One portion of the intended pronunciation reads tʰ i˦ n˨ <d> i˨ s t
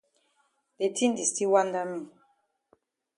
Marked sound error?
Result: no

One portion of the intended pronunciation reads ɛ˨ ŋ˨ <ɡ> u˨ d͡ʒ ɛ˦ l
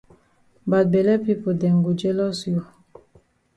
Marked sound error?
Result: no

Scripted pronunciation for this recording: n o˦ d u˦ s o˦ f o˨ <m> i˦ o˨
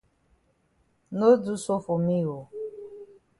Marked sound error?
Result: no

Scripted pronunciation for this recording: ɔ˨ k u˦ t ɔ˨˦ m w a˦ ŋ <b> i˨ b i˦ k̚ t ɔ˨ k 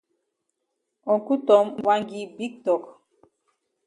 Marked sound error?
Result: yes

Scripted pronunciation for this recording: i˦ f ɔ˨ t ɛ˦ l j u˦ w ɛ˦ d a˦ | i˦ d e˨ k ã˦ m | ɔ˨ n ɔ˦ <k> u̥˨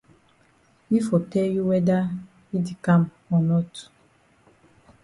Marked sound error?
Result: yes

